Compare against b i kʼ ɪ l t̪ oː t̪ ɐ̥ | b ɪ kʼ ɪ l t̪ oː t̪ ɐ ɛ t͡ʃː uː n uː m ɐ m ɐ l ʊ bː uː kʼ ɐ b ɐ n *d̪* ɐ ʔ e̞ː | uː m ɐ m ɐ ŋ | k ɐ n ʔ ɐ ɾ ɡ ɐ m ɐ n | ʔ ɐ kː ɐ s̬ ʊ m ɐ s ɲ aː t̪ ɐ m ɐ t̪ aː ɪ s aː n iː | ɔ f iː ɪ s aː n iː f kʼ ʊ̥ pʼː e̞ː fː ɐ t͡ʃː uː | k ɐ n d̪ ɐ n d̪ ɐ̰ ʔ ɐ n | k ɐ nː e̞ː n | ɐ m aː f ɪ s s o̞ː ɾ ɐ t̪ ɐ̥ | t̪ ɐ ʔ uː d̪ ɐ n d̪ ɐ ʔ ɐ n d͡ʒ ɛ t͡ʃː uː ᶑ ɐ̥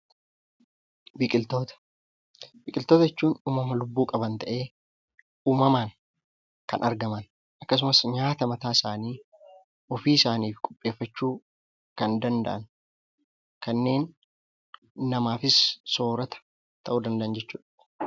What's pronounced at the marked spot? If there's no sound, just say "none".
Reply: t̪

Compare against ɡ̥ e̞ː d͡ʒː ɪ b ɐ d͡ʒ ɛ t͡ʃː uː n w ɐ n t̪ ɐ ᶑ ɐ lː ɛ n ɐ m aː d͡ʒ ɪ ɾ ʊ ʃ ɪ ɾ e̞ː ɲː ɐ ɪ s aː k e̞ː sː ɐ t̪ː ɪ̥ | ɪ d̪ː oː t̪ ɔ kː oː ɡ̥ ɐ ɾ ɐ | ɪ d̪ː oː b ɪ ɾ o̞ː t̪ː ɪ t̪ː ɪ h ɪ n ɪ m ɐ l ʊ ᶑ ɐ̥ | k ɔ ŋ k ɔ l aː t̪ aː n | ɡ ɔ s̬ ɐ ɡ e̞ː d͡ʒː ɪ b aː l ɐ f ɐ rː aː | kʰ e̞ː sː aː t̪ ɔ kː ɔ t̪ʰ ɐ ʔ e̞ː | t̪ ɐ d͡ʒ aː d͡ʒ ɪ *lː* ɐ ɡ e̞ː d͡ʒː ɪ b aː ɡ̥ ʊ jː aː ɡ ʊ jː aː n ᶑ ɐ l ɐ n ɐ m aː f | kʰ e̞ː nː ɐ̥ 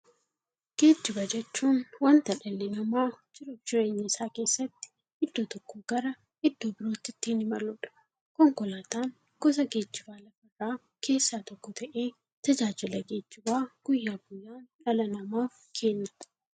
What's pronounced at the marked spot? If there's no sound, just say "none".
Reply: l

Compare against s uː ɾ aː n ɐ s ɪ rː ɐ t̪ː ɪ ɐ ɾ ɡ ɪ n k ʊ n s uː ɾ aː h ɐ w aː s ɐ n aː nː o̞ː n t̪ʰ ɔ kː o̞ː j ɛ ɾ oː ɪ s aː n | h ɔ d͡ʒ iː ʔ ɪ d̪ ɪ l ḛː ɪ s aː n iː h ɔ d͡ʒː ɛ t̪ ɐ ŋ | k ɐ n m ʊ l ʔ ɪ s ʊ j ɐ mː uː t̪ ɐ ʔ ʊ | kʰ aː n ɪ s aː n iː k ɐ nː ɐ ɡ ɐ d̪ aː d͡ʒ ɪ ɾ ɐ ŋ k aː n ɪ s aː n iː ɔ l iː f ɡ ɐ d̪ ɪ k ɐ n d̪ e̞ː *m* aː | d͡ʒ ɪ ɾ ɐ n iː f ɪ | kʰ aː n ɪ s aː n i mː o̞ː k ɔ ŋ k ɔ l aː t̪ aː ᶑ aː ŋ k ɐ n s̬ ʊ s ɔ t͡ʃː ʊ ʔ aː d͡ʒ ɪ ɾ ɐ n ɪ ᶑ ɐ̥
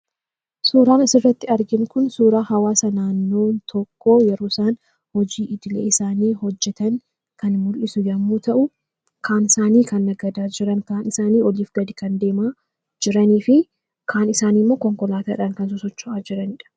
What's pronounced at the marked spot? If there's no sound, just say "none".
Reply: m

